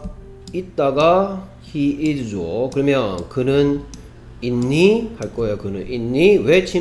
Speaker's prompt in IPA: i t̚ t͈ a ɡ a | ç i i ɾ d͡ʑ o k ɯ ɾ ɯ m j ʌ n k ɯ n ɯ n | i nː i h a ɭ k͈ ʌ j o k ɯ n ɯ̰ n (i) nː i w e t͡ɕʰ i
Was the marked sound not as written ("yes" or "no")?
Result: no